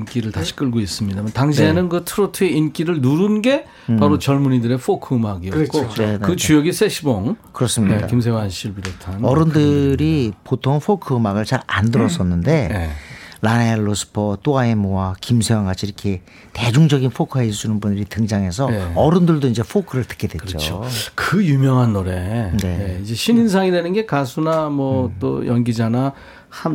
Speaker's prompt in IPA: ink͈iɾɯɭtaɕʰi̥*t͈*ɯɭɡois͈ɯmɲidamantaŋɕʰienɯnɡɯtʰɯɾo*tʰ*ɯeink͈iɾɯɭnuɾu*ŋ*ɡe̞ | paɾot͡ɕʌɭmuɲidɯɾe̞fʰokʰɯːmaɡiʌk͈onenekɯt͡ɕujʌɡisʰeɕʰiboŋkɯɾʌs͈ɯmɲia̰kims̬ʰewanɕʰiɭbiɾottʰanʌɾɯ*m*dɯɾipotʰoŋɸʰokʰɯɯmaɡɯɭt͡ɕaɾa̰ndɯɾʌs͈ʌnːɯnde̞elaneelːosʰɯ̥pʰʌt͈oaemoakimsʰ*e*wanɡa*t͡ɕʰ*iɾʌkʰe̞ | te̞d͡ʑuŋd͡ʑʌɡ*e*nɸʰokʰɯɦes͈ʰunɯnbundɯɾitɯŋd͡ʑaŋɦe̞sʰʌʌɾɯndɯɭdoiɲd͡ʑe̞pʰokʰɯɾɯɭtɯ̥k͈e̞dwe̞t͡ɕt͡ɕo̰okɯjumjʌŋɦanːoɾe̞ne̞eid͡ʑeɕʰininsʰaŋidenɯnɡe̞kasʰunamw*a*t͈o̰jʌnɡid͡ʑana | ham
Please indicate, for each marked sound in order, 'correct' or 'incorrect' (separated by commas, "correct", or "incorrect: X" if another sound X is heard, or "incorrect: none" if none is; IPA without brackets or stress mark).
incorrect: k͈, correct, incorrect: n, incorrect: n, correct, correct, incorrect: i, incorrect: ʌ